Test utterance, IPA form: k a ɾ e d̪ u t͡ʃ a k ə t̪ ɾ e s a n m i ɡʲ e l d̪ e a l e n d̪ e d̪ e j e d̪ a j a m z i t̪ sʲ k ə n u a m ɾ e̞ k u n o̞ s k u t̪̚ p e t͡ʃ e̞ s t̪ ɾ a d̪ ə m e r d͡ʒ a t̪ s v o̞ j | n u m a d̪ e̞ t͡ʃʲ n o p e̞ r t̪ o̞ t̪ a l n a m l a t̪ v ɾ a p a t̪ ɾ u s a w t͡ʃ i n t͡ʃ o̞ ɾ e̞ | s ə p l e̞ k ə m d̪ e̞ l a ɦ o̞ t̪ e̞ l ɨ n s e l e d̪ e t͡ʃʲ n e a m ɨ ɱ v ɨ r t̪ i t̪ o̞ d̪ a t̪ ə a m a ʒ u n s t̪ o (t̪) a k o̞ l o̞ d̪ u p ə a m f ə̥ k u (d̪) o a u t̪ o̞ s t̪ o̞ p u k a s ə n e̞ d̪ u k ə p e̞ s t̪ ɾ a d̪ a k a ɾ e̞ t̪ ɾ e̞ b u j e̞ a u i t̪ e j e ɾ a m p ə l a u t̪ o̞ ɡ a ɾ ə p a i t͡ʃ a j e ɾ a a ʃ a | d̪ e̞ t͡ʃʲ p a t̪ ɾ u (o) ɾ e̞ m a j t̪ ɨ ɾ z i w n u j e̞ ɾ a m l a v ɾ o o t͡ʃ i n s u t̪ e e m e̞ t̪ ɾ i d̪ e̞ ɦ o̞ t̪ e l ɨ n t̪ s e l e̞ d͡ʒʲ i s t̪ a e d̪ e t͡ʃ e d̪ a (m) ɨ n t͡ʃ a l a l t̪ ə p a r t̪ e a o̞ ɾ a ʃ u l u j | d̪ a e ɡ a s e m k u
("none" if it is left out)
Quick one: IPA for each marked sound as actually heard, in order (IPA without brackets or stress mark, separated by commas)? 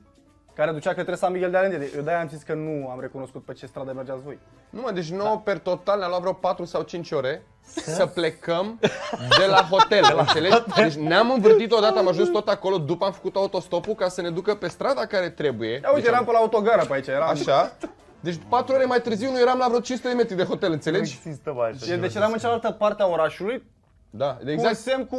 t̪, t̪, o, m